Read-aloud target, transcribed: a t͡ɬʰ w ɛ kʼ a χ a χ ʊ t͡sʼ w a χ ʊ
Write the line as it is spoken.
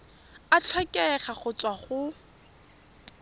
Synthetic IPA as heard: a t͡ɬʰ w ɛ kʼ ɛ χ a χ ʊ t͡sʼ w a χ ʊ